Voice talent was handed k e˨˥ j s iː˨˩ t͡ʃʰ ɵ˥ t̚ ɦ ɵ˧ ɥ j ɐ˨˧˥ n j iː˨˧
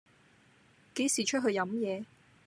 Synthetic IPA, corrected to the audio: k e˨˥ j s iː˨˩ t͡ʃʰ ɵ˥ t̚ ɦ ɵ˧ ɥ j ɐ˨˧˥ m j ɛː˨˧